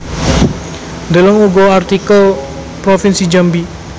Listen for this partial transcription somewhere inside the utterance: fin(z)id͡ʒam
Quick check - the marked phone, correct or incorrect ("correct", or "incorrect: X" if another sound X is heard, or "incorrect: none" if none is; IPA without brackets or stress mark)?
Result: incorrect: s